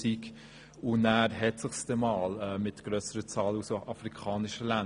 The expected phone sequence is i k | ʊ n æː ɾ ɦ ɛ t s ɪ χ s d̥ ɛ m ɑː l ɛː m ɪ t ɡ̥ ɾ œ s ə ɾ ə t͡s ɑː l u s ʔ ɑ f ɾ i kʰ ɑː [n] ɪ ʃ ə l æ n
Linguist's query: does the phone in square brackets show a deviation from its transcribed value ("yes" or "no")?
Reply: no